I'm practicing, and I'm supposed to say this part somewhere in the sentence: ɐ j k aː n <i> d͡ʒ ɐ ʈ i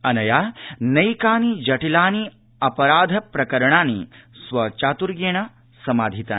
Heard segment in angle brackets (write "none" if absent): i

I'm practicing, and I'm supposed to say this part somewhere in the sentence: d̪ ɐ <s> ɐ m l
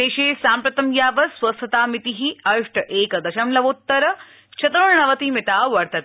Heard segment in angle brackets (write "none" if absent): ʃ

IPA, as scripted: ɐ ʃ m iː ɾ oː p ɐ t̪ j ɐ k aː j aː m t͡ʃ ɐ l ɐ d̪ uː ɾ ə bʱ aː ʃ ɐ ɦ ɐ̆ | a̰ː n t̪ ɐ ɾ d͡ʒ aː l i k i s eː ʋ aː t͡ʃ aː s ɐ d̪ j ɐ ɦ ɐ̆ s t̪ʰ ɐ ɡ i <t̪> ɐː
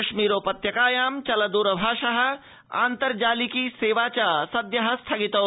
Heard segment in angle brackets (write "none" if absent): t̪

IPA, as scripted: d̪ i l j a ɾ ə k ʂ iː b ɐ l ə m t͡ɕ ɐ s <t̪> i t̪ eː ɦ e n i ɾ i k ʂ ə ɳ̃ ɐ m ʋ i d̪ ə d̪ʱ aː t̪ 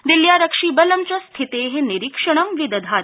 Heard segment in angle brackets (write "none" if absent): t̪ʰ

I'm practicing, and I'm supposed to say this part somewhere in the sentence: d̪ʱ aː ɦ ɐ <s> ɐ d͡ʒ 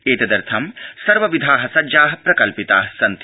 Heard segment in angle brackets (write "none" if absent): s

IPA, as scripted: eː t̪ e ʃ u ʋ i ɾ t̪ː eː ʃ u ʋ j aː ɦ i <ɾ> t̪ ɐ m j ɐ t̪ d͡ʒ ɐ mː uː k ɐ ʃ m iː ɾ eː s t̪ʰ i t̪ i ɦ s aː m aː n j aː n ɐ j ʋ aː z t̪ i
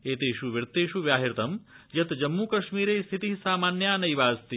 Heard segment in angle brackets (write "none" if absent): ɾ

